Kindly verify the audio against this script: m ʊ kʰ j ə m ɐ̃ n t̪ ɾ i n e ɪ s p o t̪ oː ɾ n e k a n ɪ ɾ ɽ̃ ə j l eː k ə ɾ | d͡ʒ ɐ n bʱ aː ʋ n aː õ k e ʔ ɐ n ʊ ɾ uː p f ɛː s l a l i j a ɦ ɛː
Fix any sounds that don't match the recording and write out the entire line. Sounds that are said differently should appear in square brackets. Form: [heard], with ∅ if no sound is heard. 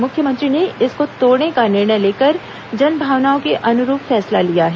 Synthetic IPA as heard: m ʊ kʰ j ə m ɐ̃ n t̪ ɾ i n e ɪ s [k] o t̪ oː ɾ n e k a n ɪ ɾ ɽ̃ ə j l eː k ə ɾ | d͡ʒ ɐ n bʱ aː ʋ n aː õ k e ʔ ɐ n ʊ ɾ uː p f ɛː s l a l i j a ɦ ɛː

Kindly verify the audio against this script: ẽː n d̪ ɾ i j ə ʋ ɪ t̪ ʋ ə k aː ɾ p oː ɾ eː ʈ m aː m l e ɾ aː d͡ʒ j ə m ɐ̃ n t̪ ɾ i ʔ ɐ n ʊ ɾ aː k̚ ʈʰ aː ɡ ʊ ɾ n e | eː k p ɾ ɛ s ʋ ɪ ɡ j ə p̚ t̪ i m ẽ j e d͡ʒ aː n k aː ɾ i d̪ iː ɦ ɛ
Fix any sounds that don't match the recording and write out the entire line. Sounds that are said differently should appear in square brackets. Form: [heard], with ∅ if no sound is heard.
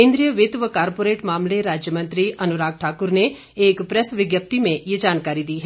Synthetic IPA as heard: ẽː n d̪ ɾ i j ə ʋ ɪ t̪ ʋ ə k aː ɾ p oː ɾ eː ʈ m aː m l e ɾ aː d͡ʒ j ə m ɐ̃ n t̪ ɾ i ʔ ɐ n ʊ ɾ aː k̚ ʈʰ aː [k] ʊ ɾ n e | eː k p ɾ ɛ s ʋ ɪ ɡ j ə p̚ t̪ i m ẽ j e d͡ʒ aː n k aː ɾ i d̪ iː ɦ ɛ

